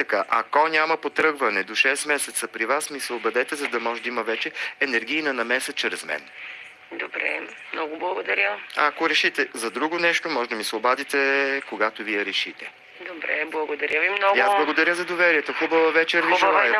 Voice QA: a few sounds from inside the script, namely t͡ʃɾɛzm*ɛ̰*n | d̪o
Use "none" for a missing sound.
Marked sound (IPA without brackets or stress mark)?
ɛ̰